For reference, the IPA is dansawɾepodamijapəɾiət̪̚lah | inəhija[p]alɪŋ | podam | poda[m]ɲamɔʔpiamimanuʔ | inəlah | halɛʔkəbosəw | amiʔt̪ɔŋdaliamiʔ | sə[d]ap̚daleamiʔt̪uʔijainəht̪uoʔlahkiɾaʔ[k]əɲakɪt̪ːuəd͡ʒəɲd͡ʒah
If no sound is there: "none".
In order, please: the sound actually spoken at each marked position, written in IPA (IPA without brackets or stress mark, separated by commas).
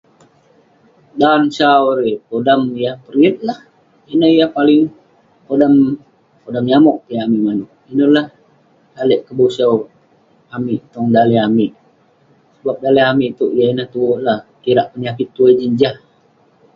p, m, b, p